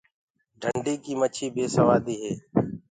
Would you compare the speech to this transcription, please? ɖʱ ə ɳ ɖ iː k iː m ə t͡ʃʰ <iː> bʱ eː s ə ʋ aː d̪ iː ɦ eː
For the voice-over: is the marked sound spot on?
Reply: yes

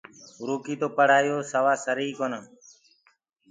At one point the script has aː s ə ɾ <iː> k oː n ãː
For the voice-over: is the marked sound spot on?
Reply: yes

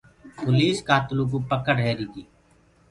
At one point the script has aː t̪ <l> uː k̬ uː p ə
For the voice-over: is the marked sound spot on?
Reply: yes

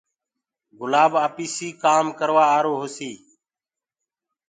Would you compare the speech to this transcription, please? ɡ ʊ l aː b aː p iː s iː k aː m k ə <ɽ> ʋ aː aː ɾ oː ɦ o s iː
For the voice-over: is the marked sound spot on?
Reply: no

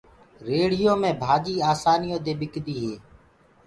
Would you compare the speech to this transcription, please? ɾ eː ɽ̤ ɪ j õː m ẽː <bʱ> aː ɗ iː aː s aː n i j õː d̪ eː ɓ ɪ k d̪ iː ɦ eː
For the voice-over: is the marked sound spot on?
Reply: yes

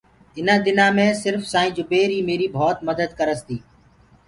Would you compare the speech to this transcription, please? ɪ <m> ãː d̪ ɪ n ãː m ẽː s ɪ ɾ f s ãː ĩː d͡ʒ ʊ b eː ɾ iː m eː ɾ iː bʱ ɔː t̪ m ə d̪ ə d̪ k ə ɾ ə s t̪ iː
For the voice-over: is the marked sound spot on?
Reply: no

